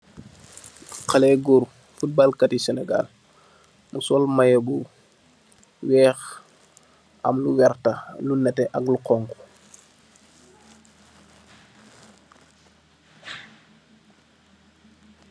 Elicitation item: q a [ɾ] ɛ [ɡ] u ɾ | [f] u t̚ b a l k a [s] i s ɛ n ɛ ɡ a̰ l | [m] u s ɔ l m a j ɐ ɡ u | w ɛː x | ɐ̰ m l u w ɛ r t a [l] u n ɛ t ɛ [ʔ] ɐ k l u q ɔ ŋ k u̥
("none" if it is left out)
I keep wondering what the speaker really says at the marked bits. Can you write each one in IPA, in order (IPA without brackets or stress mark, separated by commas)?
l, ɡ, f, t, m, l, ʔ